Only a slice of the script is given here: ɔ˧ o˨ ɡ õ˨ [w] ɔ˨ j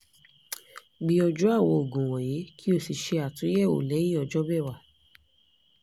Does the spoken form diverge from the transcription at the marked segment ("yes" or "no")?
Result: no